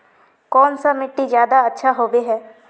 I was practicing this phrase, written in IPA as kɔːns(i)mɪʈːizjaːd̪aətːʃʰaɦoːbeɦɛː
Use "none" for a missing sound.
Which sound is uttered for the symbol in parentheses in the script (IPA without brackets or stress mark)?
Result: a